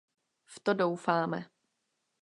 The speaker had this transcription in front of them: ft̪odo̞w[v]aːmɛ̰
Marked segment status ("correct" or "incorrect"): incorrect